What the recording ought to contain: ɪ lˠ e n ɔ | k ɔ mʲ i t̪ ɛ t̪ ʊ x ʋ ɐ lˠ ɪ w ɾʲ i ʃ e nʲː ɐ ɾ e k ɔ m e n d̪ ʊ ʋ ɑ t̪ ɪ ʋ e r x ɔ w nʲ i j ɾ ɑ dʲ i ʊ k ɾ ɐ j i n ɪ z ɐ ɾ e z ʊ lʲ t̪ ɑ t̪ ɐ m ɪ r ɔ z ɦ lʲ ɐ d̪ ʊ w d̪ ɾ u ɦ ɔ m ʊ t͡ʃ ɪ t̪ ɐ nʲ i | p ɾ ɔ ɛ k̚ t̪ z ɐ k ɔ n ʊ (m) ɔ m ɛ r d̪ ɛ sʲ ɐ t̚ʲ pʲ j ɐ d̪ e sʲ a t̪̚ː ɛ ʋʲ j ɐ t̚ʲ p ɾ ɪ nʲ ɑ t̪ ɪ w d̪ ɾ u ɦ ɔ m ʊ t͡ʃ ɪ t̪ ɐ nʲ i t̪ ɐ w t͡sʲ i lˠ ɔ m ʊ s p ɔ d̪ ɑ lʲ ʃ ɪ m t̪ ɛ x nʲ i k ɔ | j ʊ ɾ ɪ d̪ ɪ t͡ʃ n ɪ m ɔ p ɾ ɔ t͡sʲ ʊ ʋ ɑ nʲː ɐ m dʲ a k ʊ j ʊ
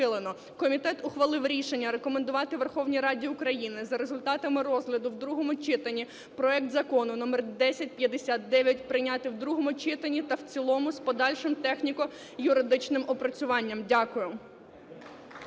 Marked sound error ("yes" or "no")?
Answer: yes